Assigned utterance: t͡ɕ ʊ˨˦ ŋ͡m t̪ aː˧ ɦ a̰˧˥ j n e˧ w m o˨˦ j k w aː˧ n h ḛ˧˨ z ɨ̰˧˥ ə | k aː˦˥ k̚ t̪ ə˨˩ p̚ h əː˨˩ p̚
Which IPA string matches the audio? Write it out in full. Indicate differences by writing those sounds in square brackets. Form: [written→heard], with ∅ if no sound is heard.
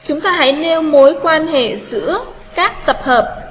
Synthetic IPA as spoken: t͡ɕ ʊ˨˦ ŋ͡m t̪ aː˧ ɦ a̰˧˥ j n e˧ w m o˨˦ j k w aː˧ n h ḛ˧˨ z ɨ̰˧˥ ə | k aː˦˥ k̚ t̪ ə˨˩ p̚ h əː˨˩ p̚